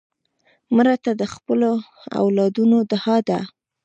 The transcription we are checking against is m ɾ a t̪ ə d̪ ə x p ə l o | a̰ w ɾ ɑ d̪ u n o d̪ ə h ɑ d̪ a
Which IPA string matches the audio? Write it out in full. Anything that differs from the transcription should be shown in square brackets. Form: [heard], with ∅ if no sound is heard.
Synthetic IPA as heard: m ɾ a t̪ [a] d̪ ə x p ə l o | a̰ w [l] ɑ d̪ u n o d̪ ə h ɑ d̪ a